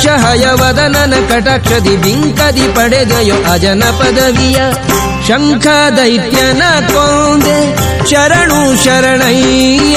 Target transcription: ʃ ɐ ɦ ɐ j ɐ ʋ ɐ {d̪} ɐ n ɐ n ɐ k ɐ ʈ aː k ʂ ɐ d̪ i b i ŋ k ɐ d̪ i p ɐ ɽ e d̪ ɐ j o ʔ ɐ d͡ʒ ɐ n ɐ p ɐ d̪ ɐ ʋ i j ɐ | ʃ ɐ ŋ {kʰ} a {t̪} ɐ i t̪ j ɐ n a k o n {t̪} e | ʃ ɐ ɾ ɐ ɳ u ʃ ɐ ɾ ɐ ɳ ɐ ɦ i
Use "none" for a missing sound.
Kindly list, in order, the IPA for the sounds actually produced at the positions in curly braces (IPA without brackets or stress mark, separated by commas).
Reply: d̪, kʰ, d̪, d̪